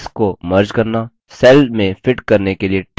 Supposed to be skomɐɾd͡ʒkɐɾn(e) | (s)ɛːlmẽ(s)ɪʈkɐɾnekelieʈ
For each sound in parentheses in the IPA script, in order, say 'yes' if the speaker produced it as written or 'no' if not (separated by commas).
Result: no, yes, no